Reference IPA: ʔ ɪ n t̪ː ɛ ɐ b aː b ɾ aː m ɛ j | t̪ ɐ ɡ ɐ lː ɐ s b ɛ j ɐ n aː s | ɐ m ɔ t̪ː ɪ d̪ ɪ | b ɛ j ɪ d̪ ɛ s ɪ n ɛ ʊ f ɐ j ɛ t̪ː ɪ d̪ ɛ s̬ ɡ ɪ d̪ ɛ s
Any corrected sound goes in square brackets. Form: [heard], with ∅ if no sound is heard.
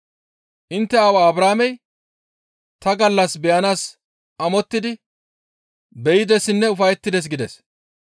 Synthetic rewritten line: ʔ ɪ n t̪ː ɛ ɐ [w] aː b ɾ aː m ɛ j | t̪ ɐ ɡ ɐ lː ɐ s b ɛ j ɐ n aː s | ɐ m ɔ t̪ː ɪ d̪ ɪ | b ɛ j ɪ d̪ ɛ s ɪ [nː] ɛ ʊ f ɐ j ɛ t̪ː ɪ d̪ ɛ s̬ ɡ ɪ d̪ ɛ s